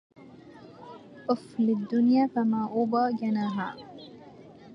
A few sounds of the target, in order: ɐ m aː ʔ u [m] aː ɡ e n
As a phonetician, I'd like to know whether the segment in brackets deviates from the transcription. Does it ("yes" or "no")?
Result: yes